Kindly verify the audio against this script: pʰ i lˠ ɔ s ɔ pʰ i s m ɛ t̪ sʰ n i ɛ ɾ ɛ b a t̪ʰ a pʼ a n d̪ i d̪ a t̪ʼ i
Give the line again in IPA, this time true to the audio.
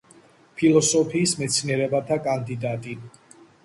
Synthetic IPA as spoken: pʰ i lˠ ɔ s ɔ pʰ iː s m ɛ t̪ sʰ n i ɛ ɾ ɛ b a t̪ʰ a kʼ a n d̪ i d̪ a t̪ʼ i